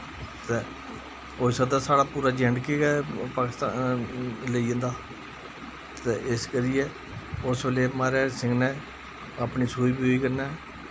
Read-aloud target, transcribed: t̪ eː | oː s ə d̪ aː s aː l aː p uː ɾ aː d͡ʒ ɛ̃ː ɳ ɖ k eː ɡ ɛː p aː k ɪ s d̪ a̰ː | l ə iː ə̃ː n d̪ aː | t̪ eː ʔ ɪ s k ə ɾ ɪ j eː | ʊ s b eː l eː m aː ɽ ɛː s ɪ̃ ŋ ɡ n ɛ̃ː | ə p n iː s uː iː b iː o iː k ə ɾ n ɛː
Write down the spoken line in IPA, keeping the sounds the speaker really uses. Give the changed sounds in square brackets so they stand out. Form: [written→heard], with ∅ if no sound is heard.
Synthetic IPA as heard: t̪ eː | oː s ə d̪ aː s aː [l→ɽ] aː p uː ɾ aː d͡ʒ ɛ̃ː ɳ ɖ k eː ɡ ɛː p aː k ɪ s [d̪→t̪] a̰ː | l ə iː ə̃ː n d̪ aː | t̪ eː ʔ ɪ s k ə ɾ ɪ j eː | ʊ s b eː l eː m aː [ɽ→ɾ] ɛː s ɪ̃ ŋ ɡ n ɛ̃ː | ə p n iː s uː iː b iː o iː k ə ɾ n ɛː